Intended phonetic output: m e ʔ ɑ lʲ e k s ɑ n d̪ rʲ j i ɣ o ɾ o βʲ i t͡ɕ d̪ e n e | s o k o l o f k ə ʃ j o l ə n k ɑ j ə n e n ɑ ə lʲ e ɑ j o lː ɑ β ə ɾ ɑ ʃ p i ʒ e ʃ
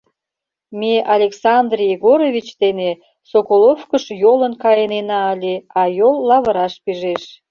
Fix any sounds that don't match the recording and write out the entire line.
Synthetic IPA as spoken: m e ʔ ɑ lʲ e k s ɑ n d̪ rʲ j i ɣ o ɾ o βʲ i t͡ɕ d̪ e n e | s o k o l o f k ə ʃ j o l ə n k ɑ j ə n e n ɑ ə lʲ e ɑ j o lː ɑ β ə ɾ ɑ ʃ p i ʒ e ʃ